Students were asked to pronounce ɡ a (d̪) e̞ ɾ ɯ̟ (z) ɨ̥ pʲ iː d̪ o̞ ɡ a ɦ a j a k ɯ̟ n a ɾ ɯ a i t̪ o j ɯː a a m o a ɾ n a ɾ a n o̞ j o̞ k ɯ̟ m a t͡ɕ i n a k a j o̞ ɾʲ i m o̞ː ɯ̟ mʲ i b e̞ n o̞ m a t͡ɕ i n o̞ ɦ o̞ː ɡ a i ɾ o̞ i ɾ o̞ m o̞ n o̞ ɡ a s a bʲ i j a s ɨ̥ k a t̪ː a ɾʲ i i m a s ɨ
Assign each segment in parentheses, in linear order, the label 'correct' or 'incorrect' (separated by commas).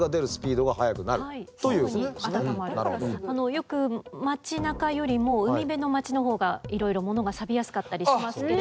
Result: correct, incorrect